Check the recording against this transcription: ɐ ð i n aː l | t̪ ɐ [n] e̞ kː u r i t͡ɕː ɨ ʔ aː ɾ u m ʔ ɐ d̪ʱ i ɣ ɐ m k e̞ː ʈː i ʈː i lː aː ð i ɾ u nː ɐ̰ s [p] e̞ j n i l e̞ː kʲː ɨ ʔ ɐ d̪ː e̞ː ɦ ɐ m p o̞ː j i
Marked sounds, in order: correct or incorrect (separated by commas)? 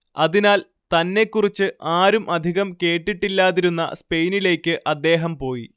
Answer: incorrect, correct